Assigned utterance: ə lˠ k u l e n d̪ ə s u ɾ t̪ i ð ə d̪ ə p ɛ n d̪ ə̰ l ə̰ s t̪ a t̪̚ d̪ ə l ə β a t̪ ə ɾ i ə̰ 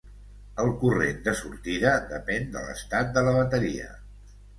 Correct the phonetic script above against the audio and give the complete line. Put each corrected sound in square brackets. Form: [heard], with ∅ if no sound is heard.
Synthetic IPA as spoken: ə lˠ k u [r] e n d̪ ə s u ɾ t̪ i ð ə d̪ ə p ɛ n d̪ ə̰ l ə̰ s t̪ a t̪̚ d̪ ə l ə β [ə] t̪ ə ɾ i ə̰